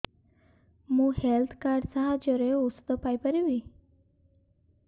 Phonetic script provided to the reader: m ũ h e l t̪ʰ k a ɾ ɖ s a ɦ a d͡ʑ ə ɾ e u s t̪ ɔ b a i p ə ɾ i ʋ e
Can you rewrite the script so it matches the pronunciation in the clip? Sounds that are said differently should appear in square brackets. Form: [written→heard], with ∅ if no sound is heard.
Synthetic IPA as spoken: m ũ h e l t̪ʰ k a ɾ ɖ s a ɦ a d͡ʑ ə ɾ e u s t̪ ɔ [b→p] a [i→j] p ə ɾ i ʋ [e→i]